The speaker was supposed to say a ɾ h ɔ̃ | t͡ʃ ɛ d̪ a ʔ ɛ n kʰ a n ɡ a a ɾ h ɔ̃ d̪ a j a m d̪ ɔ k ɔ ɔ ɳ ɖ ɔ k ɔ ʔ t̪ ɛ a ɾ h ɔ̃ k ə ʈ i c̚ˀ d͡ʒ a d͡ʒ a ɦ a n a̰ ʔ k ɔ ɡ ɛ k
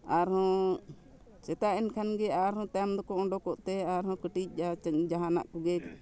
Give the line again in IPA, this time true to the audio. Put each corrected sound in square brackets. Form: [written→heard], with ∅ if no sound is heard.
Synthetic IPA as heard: a ɾ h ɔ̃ | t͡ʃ ɛ [d̪→t̪] a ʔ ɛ n kʰ a n ɡ [a→ɛ] a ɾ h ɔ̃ [d̪→t̪] a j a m d̪ ɔ k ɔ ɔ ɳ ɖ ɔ k ɔ ʔ t̪ ɛ a ɾ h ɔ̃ k ə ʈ i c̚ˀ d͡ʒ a d͡ʒ a ɦ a n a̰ ʔ k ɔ ɡ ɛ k